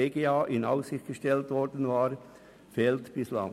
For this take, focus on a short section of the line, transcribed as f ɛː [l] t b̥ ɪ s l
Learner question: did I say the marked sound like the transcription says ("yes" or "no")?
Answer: yes